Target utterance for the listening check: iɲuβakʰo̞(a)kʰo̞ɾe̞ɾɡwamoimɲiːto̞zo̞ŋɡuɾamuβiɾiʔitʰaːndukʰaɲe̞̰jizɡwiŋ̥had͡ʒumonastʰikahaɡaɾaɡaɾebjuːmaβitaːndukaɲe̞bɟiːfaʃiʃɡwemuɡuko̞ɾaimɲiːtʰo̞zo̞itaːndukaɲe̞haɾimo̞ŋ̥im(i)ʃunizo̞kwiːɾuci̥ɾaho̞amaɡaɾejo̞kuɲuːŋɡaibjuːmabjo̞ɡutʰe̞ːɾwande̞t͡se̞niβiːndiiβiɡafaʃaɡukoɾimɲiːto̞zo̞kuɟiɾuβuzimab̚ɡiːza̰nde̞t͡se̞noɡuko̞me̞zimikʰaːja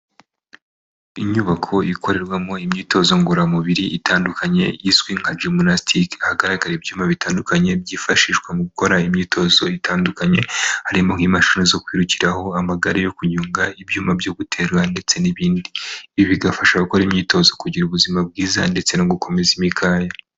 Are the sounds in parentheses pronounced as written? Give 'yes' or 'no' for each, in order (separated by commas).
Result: no, no